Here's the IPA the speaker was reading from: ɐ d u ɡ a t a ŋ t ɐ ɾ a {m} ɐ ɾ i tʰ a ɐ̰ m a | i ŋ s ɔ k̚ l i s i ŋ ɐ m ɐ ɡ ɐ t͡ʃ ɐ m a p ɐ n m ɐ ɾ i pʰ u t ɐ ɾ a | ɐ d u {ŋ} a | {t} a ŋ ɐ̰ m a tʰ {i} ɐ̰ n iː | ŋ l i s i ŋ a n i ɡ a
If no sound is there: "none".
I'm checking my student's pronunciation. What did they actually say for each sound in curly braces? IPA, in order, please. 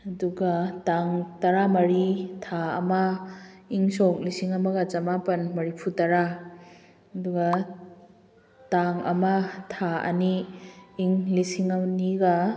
m, ɡ, t, a

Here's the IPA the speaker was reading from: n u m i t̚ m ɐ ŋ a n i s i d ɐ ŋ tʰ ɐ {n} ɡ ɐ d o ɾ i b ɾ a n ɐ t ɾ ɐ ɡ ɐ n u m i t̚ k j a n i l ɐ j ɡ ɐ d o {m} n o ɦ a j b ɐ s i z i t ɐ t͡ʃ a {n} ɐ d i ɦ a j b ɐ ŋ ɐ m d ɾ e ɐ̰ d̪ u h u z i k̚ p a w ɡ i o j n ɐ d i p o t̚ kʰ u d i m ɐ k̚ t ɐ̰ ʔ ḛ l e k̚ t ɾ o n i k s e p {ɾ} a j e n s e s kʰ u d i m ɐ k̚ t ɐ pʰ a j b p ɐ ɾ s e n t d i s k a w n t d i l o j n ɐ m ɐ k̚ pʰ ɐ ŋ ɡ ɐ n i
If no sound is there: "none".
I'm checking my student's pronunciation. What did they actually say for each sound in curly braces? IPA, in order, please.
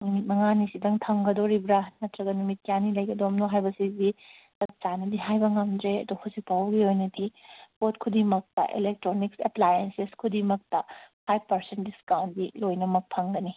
ŋ, m, n, l

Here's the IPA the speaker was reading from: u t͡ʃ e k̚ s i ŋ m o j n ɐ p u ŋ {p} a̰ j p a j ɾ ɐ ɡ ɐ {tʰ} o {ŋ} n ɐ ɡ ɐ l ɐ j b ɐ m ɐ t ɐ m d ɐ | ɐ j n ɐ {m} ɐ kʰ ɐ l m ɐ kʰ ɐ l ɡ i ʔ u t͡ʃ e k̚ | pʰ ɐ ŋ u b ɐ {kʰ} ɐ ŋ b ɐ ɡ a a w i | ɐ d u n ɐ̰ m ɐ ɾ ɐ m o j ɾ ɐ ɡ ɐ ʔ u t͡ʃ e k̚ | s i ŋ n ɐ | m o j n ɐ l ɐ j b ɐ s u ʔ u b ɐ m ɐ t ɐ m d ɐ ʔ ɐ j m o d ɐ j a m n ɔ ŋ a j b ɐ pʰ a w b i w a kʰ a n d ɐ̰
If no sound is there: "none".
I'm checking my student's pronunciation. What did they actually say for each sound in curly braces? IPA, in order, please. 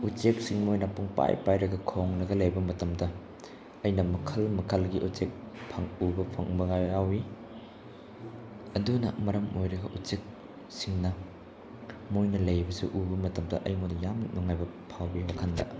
p, kʰ, ŋ, m, pʰ

